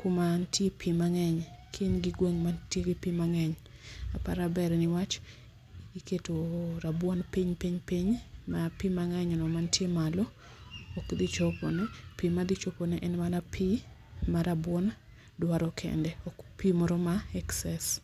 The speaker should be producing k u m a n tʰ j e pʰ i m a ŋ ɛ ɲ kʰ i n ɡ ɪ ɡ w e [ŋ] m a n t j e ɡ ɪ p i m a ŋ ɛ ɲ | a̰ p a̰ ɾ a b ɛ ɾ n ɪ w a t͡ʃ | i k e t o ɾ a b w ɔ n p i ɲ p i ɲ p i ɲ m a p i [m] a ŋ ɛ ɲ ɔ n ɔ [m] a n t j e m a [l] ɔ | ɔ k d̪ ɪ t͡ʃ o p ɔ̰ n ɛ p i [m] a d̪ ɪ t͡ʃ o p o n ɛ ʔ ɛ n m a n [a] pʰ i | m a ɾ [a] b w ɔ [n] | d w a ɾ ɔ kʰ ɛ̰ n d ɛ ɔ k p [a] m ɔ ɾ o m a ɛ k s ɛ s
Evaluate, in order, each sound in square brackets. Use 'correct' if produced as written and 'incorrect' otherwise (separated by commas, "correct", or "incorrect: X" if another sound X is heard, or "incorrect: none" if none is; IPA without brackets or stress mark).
correct, correct, correct, correct, correct, correct, correct, correct, incorrect: i